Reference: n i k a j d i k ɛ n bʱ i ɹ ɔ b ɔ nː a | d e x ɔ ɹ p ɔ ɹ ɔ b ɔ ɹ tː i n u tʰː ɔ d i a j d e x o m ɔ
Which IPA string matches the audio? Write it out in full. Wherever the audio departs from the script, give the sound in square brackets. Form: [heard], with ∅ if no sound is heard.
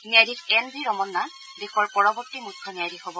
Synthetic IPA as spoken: n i [∅] a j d i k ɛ n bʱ i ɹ ɔ [m] ɔ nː a | d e x ɔ ɹ p ɔ ɹ ɔ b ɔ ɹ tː i [m] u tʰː ɔ [n] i a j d [i] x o [b] ɔ